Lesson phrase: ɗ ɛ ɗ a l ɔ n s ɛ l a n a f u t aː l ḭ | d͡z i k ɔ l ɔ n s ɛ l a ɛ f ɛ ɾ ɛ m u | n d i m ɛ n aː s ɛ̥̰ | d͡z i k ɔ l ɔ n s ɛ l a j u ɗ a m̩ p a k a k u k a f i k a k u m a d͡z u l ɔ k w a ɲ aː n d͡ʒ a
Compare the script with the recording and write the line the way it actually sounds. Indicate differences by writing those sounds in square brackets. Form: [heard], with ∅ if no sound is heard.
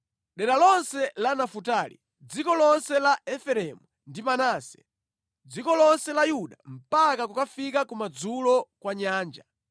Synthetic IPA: ɗ ɛ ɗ a l ɔ n s ɛ l a n a f u t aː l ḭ | d͡z i k ɔ l ɔ n s ɛ l a ɛ f ɛ ɾ ɛ m u | n d i m [a] n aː s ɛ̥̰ | d͡z i k ɔ l ɔ n s ɛ l a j u ɗ a m̩ p a k a k u k a f i k a k u m a d͡z u l ɔ k w a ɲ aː n d͡ʒ a